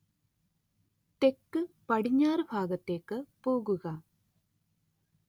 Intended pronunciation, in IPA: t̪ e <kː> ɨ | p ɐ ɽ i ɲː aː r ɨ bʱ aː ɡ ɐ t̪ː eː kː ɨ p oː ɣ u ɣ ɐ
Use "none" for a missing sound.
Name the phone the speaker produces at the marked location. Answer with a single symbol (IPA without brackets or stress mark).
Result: kː